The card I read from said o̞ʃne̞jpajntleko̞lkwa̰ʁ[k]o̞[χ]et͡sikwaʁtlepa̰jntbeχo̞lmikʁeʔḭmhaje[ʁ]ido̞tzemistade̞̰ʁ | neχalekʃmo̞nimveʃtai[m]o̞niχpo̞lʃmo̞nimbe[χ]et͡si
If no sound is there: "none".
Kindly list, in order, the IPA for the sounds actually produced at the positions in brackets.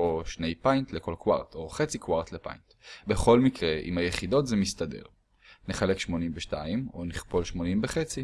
t, χ, χ, m, χ

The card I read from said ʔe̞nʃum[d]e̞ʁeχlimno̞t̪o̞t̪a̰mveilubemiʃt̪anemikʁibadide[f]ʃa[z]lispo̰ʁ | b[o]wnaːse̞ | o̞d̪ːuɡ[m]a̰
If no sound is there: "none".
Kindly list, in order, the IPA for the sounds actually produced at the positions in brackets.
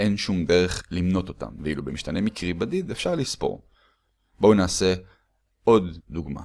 d, f, ʁ, o, m

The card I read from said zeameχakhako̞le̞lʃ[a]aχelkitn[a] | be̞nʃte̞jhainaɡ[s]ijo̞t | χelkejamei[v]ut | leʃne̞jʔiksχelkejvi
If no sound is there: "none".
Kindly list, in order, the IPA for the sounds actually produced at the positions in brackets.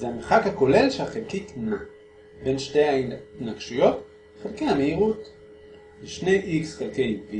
e, a, ʃ, ʁ

